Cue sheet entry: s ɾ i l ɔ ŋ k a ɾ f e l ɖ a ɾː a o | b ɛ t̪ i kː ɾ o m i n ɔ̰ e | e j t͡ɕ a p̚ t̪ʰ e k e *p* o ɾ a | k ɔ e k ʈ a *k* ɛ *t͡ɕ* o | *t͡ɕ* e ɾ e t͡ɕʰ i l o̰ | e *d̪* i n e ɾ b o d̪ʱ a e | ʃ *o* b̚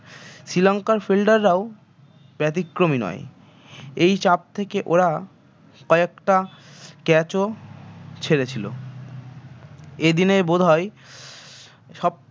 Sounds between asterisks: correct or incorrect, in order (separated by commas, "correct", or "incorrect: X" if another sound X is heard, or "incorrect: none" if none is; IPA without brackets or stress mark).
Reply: incorrect: ʔ, correct, correct, incorrect: t͡ɕʰ, correct, incorrect: ɔ